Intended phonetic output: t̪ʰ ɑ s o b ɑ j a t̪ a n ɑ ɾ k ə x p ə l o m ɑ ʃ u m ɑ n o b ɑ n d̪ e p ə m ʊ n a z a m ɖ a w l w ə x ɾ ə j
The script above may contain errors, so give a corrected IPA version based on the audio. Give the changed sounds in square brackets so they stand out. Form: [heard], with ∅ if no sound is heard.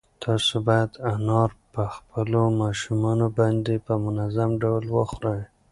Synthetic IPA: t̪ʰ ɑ s o b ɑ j a [d̪] a n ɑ ɾ [p] ə x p ə l o m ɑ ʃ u m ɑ n o b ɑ n d̪ e p ə m ʊ n a z a m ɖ a w l w ə x ɾ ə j